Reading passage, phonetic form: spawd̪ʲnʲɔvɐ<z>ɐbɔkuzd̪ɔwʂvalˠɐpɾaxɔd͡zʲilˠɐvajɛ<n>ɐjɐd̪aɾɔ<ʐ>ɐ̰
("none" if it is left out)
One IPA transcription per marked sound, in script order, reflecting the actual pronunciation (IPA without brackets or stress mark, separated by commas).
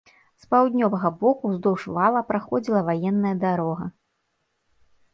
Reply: ɣ, nː, ɣ